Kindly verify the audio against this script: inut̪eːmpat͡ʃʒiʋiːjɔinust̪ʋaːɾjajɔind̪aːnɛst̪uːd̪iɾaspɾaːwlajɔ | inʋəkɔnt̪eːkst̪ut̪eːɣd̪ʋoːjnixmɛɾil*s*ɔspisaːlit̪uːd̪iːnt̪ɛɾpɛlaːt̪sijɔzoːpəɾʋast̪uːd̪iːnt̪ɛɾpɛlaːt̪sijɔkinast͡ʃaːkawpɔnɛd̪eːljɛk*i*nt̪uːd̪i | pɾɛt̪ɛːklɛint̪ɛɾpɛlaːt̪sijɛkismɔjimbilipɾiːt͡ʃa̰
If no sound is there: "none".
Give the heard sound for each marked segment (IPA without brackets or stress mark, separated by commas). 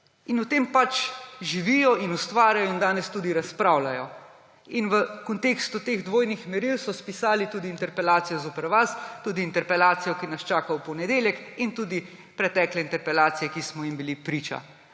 s, i